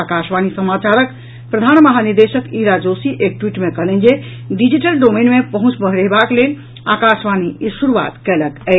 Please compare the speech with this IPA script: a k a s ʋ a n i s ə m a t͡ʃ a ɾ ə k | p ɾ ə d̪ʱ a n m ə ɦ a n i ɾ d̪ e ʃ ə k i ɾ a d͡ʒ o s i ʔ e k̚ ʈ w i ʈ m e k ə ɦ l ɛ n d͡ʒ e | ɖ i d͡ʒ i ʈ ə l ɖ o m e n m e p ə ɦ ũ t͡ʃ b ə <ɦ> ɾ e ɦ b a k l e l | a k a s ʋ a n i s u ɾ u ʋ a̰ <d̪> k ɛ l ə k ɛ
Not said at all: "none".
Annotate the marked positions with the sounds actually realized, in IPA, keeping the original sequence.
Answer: ɦ, t̪

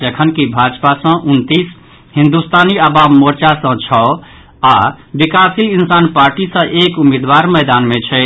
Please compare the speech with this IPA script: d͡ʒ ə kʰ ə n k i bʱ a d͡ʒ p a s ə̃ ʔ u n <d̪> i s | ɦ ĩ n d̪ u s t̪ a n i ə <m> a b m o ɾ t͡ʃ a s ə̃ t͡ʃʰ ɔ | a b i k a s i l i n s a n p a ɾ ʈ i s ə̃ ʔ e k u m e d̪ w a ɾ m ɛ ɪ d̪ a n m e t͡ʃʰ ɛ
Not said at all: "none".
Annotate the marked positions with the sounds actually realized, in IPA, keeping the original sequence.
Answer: t̪, b

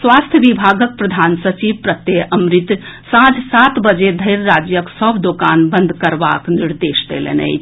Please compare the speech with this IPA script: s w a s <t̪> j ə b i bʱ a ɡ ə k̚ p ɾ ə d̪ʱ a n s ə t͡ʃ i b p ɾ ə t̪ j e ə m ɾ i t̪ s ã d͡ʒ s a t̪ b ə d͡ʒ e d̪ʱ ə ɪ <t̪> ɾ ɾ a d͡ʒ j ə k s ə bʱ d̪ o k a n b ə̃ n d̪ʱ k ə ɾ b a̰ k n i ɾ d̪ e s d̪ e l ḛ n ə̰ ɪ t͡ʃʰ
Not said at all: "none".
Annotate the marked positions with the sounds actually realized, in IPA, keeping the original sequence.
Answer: t̪ʰ, none

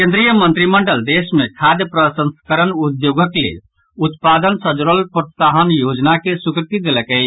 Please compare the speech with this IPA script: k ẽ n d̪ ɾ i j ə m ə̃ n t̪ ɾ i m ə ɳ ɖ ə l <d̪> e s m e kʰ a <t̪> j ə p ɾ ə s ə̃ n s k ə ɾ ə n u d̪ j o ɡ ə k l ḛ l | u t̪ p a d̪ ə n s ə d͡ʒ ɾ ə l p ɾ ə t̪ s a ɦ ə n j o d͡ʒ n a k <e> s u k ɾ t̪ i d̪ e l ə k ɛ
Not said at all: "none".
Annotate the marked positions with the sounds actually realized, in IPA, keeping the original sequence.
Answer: d̪, d̪, e

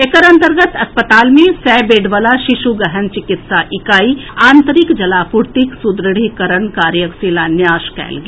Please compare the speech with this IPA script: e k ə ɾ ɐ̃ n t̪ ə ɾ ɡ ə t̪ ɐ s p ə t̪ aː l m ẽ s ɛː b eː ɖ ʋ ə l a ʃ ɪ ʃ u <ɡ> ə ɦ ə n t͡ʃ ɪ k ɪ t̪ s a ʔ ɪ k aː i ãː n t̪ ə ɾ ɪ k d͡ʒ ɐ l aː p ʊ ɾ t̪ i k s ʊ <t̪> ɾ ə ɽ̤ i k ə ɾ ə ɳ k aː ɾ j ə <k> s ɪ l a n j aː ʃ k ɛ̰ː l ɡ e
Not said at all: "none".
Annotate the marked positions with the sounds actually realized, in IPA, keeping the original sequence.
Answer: ɡ, d̪, k

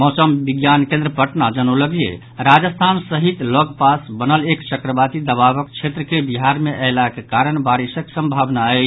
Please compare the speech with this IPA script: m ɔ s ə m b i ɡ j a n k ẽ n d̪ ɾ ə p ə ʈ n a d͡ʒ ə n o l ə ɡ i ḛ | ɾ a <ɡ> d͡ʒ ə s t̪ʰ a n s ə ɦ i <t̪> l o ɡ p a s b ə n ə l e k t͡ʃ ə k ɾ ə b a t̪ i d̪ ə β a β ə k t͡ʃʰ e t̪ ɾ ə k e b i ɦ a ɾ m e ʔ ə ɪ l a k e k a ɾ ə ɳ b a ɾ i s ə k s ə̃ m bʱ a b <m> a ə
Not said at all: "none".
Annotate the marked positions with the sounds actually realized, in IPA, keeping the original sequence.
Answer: none, t̪, n

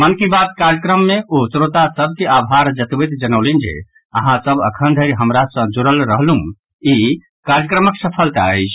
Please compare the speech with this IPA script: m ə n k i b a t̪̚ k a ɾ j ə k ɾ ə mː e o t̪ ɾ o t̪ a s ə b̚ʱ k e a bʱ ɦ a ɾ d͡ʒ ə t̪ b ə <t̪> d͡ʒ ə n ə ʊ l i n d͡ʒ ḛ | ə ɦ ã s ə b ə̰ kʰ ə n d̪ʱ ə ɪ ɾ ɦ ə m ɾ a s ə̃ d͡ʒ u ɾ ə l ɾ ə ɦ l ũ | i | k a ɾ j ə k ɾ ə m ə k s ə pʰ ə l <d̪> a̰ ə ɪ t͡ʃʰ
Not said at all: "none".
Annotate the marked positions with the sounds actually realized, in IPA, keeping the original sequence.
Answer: t̪, t̪

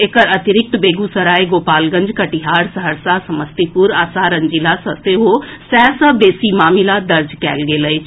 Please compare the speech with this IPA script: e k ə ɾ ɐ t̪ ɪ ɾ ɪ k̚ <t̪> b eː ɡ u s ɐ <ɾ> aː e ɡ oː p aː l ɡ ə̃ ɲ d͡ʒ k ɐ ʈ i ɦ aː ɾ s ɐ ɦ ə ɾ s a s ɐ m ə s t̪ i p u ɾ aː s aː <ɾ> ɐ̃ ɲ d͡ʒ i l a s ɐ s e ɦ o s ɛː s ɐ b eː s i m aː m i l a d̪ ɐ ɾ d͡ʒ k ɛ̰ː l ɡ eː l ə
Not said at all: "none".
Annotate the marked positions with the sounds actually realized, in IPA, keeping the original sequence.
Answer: t̪, ɾ, ɾ

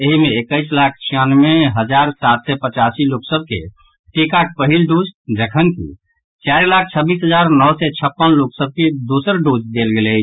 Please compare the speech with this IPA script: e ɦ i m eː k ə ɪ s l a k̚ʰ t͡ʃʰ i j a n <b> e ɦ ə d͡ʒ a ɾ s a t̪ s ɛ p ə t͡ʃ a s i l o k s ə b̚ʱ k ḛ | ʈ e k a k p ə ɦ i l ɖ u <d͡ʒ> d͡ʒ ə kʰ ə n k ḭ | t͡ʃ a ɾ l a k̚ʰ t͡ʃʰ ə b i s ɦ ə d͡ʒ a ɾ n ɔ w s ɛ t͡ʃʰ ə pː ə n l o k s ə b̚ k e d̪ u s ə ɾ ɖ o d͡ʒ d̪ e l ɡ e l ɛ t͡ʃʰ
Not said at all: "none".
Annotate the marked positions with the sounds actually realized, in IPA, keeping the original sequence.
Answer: m, d͡ʒ

